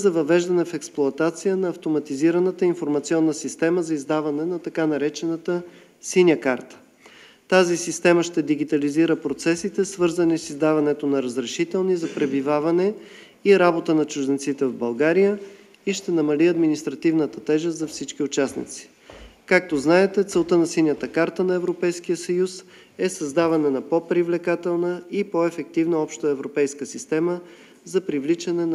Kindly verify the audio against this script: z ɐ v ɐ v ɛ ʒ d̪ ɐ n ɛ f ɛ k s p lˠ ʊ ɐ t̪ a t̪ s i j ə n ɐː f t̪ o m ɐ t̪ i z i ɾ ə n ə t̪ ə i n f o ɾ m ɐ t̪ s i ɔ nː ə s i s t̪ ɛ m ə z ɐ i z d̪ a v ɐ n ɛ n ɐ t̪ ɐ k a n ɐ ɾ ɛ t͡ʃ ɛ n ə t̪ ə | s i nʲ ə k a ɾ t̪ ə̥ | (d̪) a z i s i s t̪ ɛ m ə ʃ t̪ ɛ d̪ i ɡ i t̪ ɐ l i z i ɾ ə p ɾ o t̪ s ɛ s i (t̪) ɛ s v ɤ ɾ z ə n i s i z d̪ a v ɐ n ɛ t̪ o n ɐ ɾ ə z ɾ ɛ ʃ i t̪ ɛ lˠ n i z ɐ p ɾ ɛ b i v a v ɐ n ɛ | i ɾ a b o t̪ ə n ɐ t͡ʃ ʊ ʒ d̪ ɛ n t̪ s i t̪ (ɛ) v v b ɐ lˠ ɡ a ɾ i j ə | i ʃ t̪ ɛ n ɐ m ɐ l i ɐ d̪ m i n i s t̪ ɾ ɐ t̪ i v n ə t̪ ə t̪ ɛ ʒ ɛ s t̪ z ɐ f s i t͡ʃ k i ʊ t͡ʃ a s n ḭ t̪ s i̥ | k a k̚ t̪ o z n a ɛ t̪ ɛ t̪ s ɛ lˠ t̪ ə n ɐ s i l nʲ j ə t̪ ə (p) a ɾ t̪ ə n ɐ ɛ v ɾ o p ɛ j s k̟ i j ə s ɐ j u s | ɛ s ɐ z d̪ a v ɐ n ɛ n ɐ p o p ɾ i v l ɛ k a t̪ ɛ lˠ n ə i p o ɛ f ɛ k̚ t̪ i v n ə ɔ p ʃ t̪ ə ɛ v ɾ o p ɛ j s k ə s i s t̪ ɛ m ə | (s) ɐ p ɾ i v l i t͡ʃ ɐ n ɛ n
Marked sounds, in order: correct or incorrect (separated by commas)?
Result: incorrect, correct, correct, incorrect, incorrect